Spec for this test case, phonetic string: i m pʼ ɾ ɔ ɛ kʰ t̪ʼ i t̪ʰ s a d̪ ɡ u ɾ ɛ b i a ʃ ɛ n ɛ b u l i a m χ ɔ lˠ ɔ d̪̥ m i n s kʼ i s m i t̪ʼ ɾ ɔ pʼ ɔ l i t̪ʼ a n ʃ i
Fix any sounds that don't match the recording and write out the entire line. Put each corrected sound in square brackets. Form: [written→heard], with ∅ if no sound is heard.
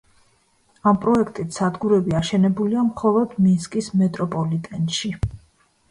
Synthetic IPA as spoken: [i→a] m pʼ ɾ ɔ ɛ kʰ t̪ʼ i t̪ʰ s a d̪ ɡ u ɾ ɛ b i a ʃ ɛ n ɛ b u l i a m χ ɔ lˠ ɔ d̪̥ m i n s kʼ i s m [i→ɛ] t̪ʼ ɾ ɔ pʼ ɔ l i t̪ʼ [a→ɛ] n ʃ i